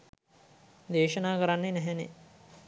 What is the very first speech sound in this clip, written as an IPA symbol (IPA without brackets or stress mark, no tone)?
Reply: d̪